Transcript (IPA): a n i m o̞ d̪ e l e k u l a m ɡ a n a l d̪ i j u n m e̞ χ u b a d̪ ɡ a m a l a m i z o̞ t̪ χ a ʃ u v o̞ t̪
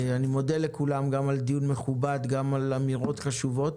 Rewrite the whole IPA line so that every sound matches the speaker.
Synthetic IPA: a n i m o̞ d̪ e l e k u l a m ɡ a m a l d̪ i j u n m e̞ χ u b a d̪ ɡ a m a l a m i ʁ o̞ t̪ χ a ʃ u v o̞ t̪